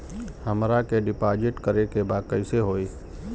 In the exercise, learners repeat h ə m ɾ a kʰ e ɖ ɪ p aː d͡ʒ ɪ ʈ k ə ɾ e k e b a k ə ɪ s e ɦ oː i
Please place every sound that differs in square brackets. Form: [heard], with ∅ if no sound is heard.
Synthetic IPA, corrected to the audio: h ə m ɾ a [k] e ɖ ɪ p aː d͡ʒ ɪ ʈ k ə ɾ e k e b a k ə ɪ s e ɦ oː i